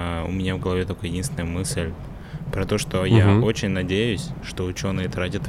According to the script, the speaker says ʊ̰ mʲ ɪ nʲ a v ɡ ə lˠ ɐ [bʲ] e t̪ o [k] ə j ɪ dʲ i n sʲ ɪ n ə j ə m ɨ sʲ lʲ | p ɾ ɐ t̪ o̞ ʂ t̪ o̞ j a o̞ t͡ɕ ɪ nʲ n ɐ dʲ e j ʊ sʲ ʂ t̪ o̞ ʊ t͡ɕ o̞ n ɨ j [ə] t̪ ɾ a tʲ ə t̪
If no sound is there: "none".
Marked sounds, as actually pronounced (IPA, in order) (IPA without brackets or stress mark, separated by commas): vʲ, k, ə